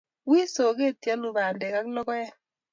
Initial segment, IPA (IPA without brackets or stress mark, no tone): w